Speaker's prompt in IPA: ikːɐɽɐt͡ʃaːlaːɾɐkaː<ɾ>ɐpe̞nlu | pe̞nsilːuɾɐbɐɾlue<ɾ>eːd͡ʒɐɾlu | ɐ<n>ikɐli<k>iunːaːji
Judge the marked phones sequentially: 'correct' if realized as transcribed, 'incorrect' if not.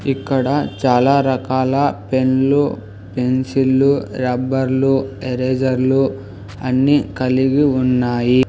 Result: incorrect, correct, incorrect, incorrect

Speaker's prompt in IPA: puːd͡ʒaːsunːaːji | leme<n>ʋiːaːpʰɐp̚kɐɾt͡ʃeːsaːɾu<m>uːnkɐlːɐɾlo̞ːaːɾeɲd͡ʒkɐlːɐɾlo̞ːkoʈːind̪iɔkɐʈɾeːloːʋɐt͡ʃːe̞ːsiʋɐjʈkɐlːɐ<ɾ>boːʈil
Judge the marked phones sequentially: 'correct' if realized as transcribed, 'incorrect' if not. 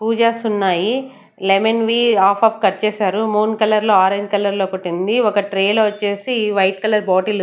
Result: correct, correct, correct

